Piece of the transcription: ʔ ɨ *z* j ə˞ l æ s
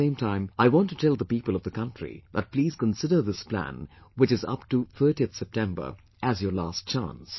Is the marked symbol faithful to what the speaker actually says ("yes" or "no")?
yes